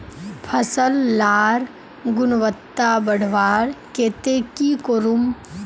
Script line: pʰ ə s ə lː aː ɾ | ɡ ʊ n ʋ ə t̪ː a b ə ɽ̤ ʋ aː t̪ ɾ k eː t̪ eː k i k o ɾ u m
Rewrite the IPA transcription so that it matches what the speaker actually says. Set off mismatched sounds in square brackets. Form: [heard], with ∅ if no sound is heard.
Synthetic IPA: pʰ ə s ə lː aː ɾ | ɡ ʊ n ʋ ə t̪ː a b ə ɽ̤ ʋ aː [∅] ɾ k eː t̪ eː k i k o ɾ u m

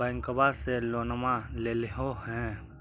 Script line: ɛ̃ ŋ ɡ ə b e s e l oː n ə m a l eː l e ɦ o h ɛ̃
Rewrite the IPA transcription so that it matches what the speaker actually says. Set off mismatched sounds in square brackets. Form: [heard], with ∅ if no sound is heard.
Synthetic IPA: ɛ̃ ŋ [k] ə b [a] s e l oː n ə m a l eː l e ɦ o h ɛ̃

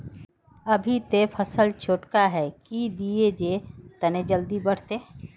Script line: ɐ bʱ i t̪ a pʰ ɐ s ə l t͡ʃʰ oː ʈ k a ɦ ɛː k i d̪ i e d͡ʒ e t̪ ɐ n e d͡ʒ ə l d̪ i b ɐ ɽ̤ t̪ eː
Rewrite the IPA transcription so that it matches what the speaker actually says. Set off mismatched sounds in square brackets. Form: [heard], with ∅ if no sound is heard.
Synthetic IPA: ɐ bʱ i t̪ [e] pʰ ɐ s ə l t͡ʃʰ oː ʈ k a ɦ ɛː k i d̪ i e d͡ʒ e t̪ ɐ n e d͡ʒ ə l d̪ i b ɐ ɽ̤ t̪ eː

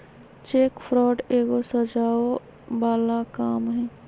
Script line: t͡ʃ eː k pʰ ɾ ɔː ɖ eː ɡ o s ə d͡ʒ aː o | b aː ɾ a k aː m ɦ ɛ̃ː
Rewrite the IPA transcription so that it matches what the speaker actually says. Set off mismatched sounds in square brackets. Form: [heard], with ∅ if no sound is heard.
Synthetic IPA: t͡ʃ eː k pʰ ɾ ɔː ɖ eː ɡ o s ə d͡ʒ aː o | b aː [l] a k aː m ɦ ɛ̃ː

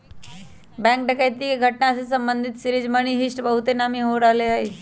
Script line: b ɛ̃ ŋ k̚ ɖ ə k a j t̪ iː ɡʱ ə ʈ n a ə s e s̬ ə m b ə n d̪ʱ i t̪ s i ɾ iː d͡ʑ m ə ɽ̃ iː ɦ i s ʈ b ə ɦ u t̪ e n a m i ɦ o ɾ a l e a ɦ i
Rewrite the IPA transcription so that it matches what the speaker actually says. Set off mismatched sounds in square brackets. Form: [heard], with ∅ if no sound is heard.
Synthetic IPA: b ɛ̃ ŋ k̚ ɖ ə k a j t̪ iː ɡʱ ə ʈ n a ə s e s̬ ə m b ə n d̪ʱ i t̪ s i ɾ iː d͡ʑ m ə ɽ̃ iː ɦ i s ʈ b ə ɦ u t̪ e n a m i ɦ o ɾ a l e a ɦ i

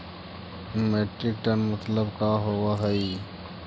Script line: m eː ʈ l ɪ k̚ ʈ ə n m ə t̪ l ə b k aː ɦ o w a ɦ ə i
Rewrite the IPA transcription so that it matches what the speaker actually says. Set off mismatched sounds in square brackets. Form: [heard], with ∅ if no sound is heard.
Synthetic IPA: m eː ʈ [ɾ] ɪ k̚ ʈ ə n m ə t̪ l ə b k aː ɦ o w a ɦ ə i

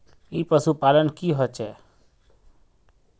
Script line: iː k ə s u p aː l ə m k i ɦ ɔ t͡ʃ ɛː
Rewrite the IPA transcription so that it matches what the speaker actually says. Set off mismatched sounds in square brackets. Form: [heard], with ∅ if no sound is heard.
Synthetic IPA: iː [p] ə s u p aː l ə [n] k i ɦ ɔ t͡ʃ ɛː

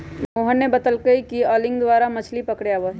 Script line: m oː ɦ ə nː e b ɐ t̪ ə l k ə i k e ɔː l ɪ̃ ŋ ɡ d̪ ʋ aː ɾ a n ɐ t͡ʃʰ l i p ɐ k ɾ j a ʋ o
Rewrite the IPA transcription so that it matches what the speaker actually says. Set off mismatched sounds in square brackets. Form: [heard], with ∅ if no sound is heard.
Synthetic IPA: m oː ɦ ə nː e b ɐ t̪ ə l k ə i k [i] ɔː l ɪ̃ ŋ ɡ d̪ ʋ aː ɾ a [m] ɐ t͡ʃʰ l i p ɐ k [ɽ] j a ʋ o

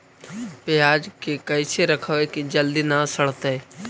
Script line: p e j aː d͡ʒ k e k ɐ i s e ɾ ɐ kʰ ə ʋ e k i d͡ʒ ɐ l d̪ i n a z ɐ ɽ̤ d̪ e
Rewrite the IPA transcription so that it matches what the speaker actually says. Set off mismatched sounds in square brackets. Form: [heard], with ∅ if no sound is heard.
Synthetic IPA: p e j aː d͡ʒ k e k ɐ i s e ɾ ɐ kʰ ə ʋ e k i d͡ʒ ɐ l d̪ i n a [s] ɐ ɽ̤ [t̪] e

